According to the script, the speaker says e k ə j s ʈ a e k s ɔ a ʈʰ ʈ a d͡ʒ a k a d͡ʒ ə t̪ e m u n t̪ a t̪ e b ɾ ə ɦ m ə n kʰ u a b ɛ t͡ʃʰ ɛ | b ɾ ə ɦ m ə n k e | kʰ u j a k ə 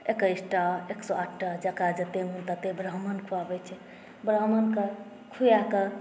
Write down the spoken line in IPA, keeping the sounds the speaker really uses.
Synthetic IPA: e k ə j s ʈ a e k s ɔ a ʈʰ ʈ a d͡ʒ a k a d͡ʒ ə t̪ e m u n t̪ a t̪ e b ɾ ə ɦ m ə n kʰ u a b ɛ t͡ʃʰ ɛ | b ɾ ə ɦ m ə n k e | kʰ u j a k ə